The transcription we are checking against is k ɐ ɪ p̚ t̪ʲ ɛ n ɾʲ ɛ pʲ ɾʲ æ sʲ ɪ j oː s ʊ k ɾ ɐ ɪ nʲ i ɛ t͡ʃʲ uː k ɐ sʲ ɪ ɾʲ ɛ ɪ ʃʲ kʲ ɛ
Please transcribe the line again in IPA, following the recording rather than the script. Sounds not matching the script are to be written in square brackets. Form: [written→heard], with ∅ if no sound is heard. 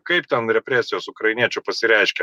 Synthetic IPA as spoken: k ɐ ɪ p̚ t̪ʲ ɛ n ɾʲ ɛ pʲ ɾʲ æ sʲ ɪ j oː s ʊ k ɾ ɐ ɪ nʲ i ɛ t͡ʃʲ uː [k→p] ɐ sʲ ɪ ɾʲ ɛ ɪ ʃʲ kʲ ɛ